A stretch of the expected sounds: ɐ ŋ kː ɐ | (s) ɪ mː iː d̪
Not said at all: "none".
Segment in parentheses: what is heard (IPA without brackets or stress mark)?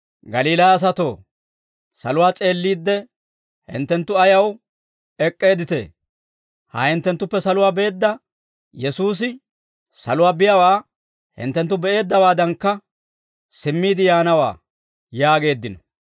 s